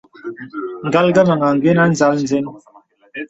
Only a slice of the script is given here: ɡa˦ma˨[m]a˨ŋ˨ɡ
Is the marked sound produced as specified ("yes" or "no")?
no